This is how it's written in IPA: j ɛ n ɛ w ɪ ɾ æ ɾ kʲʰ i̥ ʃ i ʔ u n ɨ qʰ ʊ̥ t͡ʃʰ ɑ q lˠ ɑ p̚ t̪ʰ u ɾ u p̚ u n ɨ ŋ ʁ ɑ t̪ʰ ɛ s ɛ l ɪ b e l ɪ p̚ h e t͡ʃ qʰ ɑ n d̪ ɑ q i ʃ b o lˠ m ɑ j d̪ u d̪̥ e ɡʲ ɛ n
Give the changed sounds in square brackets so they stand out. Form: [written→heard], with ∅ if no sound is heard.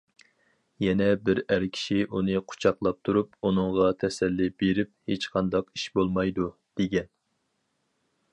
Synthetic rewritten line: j ɛ n ɛ [w→b] ɪ ɾ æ ɾ kʲʰ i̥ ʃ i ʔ u n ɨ qʰ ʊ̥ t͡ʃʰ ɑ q lˠ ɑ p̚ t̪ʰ u ɾ u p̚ u n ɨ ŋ ʁ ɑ t̪ʰ ɛ s ɛ [l→lː] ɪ b e [l→ɾ] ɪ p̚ h e t͡ʃ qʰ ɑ n d̪ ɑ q i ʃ b o lˠ m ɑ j d̪ u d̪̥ e ɡʲ ɛ n